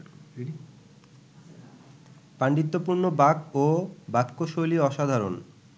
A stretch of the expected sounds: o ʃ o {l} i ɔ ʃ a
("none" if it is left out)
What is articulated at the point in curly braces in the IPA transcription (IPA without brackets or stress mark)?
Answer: l